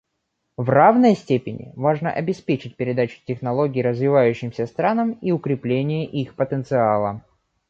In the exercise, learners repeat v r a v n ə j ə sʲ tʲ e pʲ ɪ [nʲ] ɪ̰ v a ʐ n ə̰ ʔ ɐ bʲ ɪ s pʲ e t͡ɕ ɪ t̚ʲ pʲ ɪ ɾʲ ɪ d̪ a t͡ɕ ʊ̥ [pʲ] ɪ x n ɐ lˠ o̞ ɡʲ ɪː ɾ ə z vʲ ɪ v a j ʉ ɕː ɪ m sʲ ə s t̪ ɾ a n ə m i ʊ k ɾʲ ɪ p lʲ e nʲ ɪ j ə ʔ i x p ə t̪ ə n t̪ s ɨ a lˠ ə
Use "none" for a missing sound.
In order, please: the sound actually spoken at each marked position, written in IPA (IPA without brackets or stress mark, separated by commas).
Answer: nʲ, tʲ